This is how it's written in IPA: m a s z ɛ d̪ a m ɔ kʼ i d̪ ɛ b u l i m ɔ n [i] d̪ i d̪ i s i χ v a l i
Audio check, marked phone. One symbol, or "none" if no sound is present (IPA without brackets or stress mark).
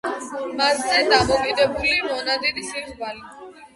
a